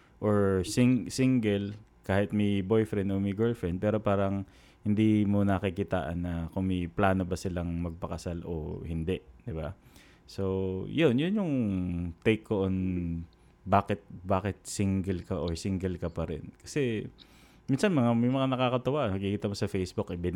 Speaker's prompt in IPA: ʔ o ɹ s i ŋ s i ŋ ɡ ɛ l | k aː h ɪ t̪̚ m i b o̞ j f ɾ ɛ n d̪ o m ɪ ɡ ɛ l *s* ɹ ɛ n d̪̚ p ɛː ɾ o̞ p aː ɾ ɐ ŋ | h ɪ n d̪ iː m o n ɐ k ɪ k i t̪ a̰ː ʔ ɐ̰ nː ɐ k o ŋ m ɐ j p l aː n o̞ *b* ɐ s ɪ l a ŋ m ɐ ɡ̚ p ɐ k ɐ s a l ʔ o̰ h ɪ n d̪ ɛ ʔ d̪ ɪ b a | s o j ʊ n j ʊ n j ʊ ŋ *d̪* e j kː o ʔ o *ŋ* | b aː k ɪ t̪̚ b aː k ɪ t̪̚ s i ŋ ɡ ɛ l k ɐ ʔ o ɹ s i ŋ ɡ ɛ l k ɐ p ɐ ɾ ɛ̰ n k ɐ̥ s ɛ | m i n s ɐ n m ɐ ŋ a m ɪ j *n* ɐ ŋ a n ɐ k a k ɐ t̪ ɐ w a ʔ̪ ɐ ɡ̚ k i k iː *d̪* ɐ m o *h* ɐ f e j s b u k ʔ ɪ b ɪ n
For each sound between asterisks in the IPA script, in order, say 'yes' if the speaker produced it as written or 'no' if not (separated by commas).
no, yes, no, no, no, no, no